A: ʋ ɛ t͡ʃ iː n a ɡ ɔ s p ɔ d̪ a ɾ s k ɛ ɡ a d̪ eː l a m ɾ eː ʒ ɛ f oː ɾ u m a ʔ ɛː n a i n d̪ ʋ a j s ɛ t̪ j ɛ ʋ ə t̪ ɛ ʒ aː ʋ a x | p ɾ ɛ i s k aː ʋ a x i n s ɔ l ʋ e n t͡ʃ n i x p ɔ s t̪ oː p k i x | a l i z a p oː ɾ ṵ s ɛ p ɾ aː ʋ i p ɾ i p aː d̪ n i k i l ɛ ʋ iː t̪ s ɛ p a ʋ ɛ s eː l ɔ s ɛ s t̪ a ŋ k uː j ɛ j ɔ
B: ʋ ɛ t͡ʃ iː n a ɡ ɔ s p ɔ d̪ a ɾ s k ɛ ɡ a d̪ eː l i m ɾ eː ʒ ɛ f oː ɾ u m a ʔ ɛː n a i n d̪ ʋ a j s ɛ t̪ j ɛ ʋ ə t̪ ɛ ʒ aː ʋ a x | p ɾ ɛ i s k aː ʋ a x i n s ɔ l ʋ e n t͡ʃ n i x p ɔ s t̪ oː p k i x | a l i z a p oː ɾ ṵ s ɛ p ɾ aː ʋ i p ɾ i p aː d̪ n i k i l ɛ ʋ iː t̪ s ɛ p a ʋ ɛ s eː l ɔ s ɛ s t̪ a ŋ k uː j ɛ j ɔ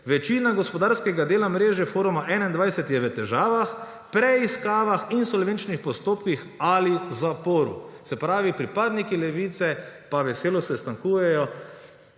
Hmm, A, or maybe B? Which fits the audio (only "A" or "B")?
A